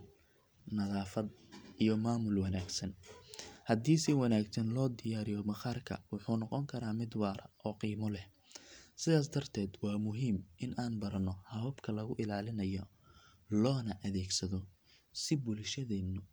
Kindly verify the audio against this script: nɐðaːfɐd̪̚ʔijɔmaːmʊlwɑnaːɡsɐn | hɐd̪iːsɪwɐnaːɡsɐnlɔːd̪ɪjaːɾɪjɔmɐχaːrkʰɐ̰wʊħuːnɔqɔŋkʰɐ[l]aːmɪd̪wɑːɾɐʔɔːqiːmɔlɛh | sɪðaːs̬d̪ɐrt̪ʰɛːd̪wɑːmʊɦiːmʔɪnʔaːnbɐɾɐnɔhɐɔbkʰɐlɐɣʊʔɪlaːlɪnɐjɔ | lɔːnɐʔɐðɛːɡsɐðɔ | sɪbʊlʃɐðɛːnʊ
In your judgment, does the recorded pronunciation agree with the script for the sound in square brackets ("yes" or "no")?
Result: no